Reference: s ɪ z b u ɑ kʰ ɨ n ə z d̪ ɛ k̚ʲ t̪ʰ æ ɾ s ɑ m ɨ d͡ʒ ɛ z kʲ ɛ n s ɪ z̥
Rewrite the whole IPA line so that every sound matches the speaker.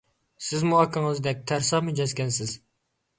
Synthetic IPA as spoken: s ɪ z m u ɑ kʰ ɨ ŋ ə z d̪ ɛ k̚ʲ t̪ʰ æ ɾ s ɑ m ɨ d͡ʒ ɛ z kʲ ɛ n s ɪ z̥